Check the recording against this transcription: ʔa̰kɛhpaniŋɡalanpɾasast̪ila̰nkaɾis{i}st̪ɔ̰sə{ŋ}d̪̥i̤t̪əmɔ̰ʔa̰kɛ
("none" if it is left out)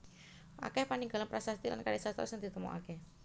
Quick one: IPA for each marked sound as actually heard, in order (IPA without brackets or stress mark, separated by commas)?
a, ŋ